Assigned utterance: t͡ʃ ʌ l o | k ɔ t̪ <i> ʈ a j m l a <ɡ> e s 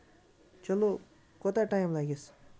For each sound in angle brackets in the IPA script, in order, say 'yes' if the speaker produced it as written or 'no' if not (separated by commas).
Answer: no, yes